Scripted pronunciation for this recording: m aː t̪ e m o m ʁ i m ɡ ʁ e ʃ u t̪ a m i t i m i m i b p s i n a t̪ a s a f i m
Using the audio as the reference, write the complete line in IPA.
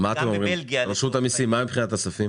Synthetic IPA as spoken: m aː t̪ e m o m ʁ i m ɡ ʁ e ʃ u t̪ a m i s i m a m i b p χ i n a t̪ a s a f i m